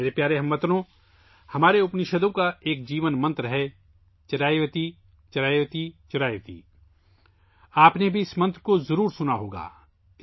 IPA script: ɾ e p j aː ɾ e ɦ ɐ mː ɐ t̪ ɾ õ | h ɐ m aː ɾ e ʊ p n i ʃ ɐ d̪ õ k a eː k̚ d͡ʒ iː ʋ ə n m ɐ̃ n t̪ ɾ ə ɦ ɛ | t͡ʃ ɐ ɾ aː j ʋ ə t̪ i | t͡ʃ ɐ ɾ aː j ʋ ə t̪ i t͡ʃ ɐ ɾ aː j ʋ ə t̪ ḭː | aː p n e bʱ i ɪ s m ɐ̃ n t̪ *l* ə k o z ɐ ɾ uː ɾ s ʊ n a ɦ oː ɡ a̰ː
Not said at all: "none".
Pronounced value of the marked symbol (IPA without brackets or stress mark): ɾ